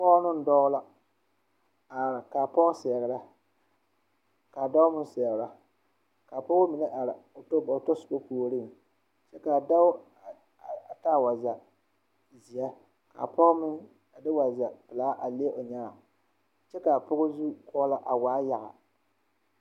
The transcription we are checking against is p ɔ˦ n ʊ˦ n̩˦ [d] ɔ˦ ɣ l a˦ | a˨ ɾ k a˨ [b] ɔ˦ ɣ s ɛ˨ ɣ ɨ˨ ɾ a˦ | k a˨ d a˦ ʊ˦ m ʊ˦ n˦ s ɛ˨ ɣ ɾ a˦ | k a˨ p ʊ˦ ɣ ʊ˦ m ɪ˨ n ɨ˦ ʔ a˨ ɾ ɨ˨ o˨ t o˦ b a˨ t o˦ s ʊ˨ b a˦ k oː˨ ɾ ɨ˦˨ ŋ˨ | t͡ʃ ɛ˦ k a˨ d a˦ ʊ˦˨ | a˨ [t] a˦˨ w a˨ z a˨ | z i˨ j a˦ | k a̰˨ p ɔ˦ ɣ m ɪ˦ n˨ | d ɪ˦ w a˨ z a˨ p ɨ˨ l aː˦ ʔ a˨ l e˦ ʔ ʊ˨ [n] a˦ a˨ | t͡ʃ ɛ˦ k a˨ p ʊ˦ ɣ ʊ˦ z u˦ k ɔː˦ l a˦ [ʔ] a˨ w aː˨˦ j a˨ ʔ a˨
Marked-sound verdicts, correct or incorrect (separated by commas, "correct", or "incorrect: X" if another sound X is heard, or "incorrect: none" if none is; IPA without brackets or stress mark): correct, incorrect: p, correct, incorrect: ɲ, correct